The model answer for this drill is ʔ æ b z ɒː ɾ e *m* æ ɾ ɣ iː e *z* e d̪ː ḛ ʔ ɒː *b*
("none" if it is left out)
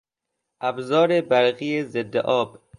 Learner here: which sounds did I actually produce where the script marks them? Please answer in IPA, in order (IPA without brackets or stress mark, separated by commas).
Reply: b, z, b